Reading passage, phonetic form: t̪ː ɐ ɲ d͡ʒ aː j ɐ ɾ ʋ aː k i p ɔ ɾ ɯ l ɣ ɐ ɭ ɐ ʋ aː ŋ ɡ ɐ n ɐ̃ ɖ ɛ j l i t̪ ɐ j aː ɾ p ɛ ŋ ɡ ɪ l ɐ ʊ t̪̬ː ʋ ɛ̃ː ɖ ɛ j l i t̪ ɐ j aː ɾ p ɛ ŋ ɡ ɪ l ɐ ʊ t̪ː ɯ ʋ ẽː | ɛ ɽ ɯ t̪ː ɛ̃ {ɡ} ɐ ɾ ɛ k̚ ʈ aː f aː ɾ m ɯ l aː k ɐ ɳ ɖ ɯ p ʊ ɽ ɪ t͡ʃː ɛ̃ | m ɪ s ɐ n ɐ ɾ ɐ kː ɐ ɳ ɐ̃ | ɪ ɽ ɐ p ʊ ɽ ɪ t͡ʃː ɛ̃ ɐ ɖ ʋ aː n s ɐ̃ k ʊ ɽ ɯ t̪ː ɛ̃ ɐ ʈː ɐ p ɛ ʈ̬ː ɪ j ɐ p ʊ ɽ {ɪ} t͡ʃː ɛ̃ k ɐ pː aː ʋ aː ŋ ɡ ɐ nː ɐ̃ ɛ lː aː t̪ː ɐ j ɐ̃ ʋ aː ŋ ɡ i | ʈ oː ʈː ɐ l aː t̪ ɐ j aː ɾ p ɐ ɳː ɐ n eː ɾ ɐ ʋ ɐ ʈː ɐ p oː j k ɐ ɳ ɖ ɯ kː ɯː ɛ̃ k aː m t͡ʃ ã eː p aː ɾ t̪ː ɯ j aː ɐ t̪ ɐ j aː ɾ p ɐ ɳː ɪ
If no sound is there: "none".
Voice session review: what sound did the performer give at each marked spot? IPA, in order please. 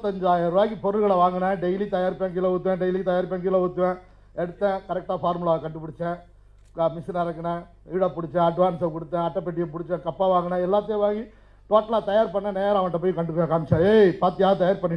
k, ɪ

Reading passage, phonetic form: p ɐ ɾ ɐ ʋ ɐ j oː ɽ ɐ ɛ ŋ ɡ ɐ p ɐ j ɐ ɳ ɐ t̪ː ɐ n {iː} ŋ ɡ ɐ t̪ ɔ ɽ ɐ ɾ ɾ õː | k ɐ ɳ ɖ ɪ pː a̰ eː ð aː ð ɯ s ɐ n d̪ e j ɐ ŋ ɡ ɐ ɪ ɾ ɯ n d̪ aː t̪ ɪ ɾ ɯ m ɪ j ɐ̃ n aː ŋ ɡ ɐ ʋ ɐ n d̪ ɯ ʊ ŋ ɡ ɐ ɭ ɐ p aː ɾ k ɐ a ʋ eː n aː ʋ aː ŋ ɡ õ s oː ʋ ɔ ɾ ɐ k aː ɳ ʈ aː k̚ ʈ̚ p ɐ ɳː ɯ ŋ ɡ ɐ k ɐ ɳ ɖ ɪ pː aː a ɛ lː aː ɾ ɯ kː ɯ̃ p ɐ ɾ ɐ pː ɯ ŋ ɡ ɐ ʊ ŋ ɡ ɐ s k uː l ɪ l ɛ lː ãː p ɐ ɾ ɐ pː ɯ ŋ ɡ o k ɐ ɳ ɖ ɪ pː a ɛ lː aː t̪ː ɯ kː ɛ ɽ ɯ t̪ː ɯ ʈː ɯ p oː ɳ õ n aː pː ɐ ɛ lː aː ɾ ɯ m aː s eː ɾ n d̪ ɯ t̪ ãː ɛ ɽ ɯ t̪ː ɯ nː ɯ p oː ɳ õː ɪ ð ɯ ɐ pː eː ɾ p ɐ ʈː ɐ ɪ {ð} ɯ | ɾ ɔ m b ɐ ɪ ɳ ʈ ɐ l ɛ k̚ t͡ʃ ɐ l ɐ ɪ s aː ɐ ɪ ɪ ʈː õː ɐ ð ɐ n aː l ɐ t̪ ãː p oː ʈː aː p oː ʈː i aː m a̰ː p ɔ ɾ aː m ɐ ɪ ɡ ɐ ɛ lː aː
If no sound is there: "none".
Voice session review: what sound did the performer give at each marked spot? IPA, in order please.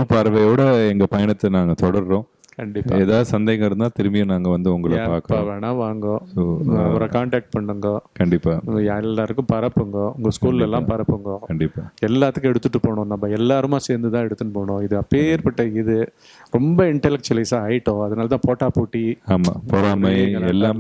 aː, ð

